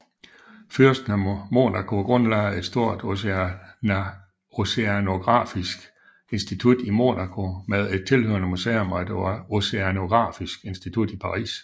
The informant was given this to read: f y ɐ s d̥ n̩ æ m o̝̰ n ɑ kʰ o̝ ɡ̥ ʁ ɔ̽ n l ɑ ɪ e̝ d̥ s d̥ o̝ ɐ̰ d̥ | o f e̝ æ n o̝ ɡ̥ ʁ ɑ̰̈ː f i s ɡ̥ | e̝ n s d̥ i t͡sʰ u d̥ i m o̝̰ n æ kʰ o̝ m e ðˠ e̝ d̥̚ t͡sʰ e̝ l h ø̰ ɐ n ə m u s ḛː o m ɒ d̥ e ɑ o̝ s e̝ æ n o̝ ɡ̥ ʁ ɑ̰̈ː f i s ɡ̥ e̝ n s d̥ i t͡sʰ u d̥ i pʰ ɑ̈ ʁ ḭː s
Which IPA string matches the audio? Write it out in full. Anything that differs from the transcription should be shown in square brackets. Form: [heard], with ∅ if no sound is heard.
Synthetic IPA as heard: f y ɐ s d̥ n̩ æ m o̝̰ n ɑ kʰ o̝ ɡ̥ ʁ ɔ̽ n l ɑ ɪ e̝ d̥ s d̥ o̝ ɐ̰ d̥ | o [s] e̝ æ n o̝ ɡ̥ ʁ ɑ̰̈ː f i s ɡ̥ | e̝ n s d̥ i t͡sʰ u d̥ i m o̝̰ n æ kʰ o̝ m e ðˠ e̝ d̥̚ t͡sʰ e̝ l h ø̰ ɐ n ə m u s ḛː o m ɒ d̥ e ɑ o̝ s e̝ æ n o̝ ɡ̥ ʁ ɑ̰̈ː f i s ɡ̥ e̝ n s d̥ i t͡sʰ u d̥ i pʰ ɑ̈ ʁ ḭː s